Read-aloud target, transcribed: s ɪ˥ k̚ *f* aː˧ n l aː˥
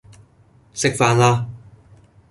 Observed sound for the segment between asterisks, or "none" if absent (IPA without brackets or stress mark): f